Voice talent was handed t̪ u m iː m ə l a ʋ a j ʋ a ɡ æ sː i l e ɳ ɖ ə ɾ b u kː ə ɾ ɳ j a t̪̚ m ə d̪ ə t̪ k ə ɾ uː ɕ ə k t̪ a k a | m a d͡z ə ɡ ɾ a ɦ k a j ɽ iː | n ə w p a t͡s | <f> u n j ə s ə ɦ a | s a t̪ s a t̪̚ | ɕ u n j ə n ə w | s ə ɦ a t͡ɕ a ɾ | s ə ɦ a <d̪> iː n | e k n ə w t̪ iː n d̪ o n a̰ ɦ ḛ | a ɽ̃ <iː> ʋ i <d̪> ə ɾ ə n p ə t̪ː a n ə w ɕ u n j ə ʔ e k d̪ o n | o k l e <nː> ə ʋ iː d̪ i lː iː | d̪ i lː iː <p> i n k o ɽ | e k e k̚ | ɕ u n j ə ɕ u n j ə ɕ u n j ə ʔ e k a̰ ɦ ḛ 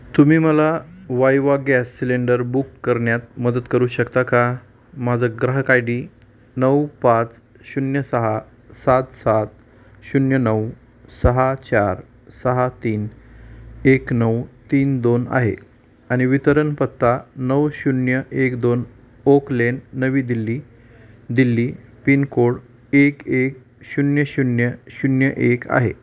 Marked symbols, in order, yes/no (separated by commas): no, no, no, no, yes, yes